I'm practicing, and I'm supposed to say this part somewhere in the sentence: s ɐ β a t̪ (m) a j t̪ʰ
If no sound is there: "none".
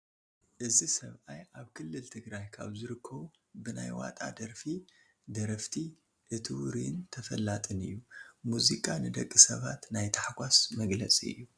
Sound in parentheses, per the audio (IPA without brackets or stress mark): n